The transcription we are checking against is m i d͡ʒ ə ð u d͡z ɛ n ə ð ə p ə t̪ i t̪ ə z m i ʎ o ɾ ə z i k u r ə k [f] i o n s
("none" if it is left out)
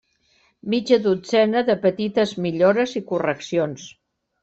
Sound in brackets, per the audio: s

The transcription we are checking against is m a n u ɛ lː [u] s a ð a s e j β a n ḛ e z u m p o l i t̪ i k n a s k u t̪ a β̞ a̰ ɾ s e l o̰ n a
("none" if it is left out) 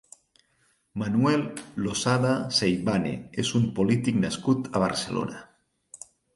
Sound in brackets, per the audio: o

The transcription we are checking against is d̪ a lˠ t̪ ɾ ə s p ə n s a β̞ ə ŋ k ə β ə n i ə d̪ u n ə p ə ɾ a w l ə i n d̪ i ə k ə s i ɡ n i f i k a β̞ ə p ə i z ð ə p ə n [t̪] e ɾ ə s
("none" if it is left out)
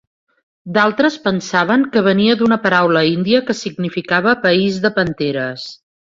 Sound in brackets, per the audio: t̪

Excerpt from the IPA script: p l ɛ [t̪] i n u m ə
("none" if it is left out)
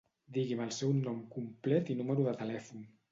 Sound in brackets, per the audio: t̪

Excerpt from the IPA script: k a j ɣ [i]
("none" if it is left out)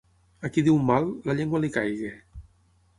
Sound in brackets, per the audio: e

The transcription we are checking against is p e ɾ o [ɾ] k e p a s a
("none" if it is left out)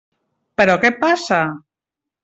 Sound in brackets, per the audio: none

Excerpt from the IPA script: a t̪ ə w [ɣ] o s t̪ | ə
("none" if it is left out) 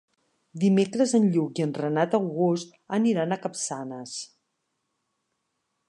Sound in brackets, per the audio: ɣ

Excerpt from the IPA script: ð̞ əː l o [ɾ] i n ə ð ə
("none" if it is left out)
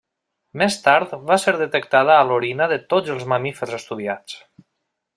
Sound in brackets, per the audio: ɾ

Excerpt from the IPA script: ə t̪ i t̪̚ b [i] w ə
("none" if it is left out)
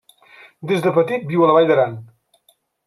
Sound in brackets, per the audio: i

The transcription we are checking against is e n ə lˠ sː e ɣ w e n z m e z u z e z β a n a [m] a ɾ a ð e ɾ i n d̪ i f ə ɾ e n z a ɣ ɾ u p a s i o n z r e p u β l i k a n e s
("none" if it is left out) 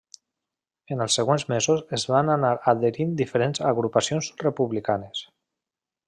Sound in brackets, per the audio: n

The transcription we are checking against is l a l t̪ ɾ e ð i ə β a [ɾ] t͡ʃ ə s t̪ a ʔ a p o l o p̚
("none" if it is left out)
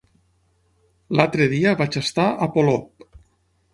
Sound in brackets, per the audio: none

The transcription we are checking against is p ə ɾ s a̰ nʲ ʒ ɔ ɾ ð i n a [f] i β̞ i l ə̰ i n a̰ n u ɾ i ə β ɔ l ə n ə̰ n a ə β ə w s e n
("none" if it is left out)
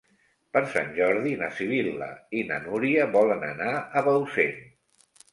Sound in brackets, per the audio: s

